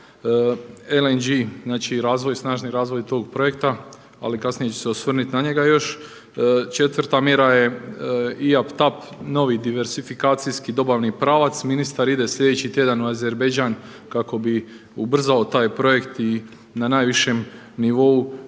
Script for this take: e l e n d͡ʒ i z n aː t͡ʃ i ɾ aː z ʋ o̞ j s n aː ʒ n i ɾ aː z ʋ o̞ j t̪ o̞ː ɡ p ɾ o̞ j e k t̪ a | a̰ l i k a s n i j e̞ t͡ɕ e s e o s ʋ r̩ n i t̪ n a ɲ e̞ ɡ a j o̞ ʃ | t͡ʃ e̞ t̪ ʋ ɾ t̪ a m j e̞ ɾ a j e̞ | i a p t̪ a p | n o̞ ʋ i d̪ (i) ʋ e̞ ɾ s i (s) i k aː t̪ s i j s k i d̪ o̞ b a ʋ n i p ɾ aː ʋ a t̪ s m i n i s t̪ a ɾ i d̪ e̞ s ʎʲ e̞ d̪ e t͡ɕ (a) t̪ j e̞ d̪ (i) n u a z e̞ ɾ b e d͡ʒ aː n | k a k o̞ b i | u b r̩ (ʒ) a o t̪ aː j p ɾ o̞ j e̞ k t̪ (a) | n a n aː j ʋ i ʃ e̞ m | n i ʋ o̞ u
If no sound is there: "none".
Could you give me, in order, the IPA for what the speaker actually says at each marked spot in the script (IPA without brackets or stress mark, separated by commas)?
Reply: i, f, i, a, z, i